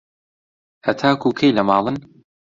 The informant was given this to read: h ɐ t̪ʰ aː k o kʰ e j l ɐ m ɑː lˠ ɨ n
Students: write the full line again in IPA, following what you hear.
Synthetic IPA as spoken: h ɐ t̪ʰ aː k u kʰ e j l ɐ m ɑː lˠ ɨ n